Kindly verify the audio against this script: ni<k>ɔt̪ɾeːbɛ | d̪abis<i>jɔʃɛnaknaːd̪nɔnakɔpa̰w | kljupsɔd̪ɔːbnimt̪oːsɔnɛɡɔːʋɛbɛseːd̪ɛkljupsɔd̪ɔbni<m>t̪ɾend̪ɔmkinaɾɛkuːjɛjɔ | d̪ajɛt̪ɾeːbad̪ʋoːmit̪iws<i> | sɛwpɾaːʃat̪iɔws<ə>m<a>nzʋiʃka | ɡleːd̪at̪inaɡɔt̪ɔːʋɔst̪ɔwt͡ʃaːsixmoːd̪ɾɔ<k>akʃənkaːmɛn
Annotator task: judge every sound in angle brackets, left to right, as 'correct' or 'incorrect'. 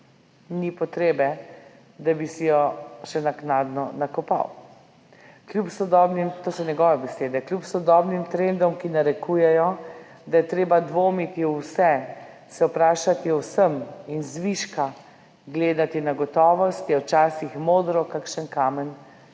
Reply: incorrect, correct, correct, incorrect, correct, incorrect, correct

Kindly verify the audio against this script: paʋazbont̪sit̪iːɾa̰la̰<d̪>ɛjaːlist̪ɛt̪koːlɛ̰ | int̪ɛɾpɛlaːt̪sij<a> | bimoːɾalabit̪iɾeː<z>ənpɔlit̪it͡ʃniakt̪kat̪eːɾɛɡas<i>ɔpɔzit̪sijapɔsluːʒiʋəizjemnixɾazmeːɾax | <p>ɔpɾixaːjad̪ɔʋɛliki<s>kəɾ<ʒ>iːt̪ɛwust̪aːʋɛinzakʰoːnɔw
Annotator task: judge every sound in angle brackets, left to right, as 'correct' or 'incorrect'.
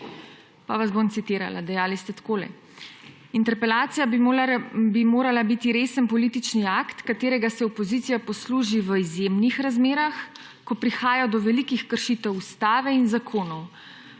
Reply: correct, correct, incorrect, incorrect, incorrect, incorrect, incorrect

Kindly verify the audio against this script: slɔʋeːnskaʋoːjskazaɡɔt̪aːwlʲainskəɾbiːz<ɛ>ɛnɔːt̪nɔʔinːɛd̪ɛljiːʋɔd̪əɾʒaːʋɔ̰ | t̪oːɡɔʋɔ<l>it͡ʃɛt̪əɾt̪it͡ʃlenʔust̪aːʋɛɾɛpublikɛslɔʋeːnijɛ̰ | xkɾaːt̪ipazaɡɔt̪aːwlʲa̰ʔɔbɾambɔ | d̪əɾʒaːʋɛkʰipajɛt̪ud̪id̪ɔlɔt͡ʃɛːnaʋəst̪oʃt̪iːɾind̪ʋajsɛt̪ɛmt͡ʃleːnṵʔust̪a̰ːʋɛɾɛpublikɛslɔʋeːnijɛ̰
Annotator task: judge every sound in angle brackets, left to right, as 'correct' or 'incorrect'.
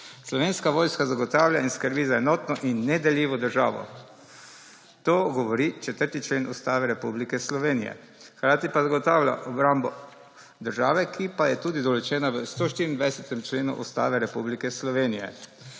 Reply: incorrect, incorrect

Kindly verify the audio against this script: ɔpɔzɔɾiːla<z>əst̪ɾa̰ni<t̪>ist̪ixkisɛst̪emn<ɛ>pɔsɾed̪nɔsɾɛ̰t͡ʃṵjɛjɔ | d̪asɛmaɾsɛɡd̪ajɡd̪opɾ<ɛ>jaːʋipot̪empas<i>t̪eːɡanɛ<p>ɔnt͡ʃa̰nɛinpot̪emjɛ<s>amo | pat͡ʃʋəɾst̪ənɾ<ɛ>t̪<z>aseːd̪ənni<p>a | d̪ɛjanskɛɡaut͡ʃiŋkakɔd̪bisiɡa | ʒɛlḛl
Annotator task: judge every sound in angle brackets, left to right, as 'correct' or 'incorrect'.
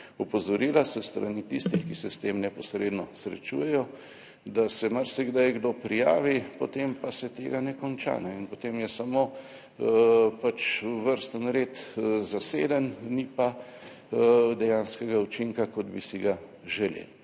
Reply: incorrect, correct, correct, incorrect, incorrect, incorrect, correct, incorrect, correct, correct

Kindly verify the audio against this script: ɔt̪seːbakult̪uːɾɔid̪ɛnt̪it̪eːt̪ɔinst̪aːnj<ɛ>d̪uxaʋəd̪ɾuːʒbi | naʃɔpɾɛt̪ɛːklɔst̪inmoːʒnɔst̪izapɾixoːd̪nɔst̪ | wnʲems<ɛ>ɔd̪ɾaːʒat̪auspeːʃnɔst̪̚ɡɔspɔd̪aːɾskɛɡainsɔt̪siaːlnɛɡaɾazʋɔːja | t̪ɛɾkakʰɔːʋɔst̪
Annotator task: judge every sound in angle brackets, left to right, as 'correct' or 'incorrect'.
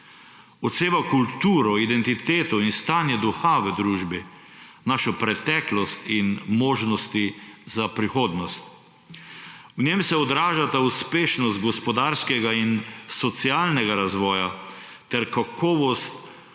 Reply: correct, correct

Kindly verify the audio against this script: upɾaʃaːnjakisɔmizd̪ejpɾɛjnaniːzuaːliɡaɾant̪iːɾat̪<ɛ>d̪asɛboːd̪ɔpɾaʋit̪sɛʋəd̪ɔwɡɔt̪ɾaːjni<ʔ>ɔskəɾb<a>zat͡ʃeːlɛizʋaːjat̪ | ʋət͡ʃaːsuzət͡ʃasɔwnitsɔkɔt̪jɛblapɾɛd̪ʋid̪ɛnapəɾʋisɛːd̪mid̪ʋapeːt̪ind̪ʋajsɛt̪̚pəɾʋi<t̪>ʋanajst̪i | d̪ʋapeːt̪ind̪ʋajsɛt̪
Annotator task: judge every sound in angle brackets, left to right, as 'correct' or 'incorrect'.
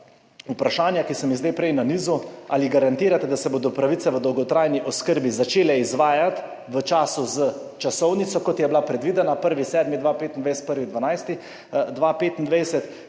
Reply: correct, correct, incorrect, incorrect

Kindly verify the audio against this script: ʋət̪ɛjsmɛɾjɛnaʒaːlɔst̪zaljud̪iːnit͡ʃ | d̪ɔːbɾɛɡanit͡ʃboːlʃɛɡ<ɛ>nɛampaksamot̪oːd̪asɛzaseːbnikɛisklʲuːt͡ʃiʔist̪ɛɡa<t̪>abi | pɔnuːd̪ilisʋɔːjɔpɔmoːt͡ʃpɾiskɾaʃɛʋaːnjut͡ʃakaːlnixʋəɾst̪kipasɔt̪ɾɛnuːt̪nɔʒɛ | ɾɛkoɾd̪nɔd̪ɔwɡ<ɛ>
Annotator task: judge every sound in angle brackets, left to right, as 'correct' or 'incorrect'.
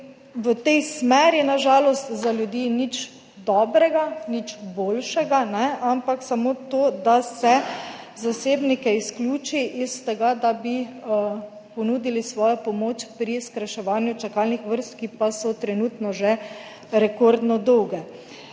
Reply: incorrect, incorrect, correct

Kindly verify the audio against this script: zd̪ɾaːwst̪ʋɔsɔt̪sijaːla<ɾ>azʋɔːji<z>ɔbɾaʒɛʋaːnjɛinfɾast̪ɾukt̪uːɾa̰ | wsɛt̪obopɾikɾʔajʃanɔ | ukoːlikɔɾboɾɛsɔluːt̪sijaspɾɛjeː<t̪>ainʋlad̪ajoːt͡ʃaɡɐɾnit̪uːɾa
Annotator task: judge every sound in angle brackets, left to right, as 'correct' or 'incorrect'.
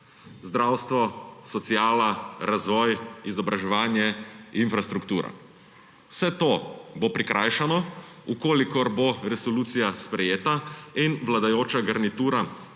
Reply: correct, correct, correct

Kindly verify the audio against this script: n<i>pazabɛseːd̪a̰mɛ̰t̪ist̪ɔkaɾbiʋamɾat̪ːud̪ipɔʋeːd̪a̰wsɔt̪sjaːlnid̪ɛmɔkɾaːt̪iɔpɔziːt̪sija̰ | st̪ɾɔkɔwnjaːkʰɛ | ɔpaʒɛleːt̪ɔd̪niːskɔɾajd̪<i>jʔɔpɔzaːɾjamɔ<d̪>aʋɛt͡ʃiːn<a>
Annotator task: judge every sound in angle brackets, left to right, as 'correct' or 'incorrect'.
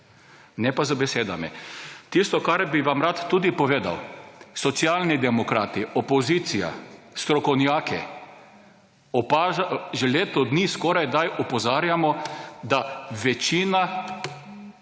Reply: incorrect, incorrect, correct, correct

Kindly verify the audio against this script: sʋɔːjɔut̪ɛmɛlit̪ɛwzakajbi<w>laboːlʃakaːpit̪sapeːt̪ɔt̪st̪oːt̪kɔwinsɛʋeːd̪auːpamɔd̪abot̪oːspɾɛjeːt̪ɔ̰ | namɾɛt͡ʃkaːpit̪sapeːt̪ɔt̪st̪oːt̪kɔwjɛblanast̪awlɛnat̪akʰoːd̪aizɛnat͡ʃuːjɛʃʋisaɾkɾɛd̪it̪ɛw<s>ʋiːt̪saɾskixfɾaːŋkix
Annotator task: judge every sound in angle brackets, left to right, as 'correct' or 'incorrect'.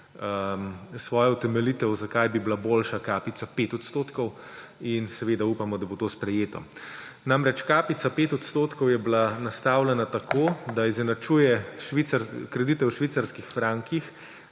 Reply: incorrect, incorrect

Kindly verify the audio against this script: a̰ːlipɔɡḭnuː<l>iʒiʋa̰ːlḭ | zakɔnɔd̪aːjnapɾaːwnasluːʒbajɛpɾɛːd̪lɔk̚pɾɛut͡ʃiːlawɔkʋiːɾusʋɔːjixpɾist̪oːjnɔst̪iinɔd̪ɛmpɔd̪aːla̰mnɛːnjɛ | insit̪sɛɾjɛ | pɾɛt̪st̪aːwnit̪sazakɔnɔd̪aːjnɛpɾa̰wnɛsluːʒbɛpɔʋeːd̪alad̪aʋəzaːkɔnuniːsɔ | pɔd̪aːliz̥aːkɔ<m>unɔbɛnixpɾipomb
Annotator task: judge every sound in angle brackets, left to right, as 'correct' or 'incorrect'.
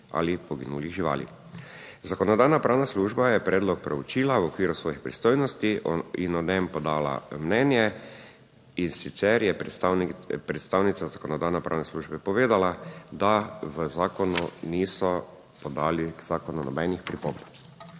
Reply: correct, incorrect

